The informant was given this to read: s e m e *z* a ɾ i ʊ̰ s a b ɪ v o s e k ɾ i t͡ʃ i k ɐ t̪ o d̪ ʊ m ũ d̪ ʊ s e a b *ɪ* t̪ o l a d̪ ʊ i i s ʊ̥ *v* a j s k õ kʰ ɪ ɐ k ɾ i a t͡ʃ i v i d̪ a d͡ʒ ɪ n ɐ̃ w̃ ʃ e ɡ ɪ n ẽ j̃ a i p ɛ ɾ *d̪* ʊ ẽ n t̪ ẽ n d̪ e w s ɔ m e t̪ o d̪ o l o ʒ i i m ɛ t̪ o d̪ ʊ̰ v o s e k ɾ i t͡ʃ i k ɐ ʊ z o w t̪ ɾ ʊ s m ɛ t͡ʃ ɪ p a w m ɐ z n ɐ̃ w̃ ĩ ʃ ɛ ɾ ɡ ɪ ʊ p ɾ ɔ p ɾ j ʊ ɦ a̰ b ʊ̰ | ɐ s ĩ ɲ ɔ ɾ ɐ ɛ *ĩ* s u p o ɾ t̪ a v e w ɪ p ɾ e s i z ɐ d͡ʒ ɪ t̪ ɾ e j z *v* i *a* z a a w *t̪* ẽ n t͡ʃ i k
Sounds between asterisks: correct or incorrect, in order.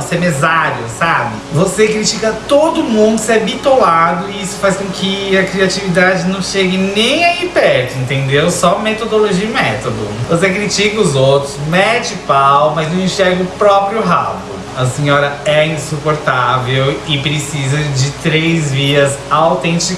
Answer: correct, incorrect, incorrect, incorrect, correct, correct, incorrect, correct

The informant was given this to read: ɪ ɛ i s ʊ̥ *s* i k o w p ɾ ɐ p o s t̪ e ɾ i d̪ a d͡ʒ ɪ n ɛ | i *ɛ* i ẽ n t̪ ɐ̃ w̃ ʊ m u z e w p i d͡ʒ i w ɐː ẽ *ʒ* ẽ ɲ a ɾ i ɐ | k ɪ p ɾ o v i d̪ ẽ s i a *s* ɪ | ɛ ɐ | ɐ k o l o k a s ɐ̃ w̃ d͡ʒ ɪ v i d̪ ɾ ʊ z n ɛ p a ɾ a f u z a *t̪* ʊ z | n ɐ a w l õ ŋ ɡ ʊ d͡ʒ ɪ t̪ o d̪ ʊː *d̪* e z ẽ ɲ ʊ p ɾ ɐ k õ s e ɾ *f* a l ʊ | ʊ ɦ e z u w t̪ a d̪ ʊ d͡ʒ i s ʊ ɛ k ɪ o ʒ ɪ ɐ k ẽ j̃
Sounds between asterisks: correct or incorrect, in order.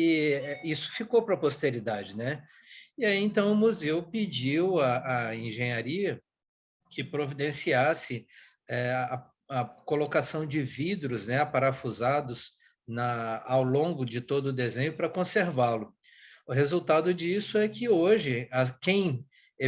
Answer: incorrect, incorrect, correct, correct, incorrect, correct, incorrect

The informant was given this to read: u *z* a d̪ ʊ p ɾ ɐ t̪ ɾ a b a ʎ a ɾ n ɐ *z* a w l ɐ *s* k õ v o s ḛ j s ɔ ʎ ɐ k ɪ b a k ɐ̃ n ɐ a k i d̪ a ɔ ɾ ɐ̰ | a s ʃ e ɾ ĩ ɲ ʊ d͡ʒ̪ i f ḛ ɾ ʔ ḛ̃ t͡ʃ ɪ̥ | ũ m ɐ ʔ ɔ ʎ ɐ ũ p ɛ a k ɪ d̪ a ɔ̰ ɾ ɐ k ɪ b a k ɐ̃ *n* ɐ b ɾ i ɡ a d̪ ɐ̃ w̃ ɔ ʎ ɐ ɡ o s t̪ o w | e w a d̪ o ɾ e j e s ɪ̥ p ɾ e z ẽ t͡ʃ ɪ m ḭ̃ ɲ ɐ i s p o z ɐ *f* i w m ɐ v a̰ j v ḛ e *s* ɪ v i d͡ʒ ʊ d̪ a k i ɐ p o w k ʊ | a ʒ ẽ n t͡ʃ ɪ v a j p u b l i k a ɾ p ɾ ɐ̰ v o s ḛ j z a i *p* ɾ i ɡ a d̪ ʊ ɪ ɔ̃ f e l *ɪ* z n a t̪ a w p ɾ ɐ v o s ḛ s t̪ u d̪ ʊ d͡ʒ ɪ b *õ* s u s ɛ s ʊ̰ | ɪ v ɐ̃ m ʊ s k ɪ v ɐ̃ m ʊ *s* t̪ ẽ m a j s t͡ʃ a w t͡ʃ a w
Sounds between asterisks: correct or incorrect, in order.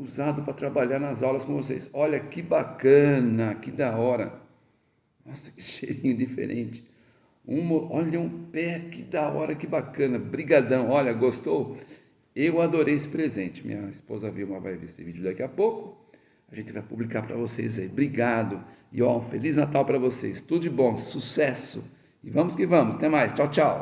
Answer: correct, correct, correct, correct, incorrect, correct, incorrect, incorrect, correct, correct

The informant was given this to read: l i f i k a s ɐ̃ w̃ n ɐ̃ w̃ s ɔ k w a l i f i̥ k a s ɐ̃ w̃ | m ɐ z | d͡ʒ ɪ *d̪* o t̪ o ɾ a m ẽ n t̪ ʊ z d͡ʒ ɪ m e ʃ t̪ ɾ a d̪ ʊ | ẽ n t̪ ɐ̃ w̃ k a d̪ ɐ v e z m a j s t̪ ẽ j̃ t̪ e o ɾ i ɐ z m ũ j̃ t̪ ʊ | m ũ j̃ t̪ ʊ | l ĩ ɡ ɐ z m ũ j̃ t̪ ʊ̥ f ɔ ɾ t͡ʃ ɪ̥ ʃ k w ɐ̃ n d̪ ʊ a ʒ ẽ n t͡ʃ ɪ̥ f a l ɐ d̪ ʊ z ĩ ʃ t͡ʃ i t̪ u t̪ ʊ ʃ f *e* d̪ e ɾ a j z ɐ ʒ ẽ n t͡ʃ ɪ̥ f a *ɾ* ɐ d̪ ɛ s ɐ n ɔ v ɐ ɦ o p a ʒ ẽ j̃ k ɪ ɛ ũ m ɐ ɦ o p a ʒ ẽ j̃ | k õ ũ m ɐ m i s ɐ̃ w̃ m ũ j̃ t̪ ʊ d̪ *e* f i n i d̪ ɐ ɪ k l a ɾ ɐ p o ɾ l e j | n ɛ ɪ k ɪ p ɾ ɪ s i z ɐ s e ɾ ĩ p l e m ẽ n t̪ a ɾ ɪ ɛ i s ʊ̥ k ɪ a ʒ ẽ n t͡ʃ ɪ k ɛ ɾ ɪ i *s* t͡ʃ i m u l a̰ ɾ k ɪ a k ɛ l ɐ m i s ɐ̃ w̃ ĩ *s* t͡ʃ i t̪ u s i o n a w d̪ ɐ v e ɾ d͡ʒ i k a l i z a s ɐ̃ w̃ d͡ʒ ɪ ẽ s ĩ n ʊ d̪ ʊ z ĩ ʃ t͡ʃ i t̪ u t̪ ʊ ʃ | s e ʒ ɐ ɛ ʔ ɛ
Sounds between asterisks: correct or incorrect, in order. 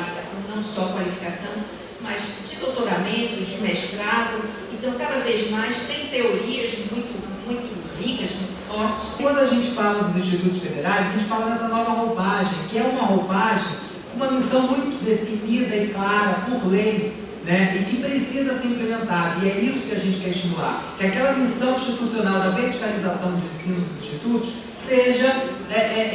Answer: correct, correct, incorrect, correct, incorrect, incorrect

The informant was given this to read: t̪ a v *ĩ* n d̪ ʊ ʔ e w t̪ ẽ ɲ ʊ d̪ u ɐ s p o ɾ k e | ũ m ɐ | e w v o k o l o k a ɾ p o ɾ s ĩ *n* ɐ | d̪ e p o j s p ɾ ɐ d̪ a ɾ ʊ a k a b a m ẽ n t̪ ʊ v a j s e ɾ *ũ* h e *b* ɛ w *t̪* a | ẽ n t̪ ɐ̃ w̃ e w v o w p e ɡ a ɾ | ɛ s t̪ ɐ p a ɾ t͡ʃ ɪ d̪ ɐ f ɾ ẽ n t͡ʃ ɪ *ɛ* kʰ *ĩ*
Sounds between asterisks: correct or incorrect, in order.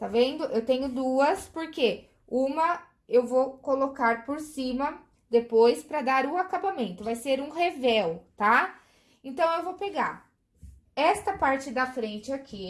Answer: incorrect, incorrect, correct, incorrect, correct, incorrect, incorrect

